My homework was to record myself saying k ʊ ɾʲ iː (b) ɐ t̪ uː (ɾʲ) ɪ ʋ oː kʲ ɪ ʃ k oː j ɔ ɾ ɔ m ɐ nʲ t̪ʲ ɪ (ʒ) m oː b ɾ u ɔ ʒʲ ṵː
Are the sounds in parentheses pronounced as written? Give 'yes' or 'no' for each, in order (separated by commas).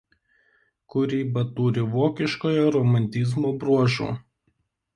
yes, yes, no